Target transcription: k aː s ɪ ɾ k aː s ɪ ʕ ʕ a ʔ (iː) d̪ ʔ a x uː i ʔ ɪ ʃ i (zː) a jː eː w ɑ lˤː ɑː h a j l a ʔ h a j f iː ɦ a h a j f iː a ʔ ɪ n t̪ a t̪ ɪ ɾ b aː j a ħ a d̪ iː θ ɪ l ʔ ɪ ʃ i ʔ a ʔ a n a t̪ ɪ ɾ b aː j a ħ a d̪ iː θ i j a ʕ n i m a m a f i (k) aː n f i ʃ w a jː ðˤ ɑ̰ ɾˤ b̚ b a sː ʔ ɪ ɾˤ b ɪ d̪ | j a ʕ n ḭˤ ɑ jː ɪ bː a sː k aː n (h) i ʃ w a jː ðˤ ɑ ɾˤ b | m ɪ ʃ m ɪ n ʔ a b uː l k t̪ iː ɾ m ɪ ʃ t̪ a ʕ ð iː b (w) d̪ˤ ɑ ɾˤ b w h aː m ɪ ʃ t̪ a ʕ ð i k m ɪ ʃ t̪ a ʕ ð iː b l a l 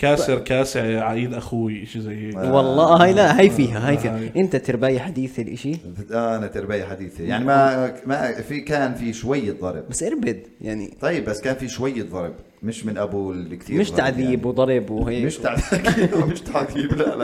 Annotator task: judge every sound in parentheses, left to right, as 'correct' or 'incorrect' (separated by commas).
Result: correct, incorrect, correct, incorrect, correct